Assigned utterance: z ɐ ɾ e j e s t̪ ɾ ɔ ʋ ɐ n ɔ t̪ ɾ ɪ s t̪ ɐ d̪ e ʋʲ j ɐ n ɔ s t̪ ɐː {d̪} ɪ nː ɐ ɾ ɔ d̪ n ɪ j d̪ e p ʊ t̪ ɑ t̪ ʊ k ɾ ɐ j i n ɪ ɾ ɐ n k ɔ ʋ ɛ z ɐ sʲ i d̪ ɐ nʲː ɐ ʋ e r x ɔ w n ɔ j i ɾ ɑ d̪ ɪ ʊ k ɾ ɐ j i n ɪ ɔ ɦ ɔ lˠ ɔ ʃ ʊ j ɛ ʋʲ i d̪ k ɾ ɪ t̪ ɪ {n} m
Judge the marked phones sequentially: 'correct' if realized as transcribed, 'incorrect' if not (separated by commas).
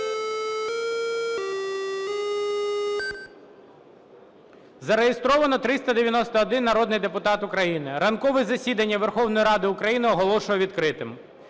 correct, incorrect